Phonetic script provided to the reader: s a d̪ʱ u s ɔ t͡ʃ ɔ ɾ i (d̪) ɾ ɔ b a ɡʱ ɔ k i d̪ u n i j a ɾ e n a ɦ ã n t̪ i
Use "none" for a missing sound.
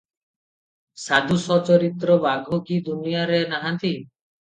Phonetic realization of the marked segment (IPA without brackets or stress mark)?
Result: t̪